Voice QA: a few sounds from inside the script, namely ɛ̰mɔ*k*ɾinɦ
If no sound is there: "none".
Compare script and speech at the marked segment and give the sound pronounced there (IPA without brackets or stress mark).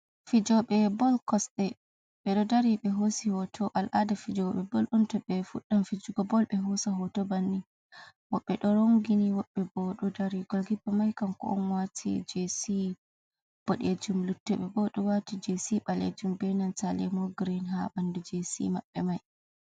ɡ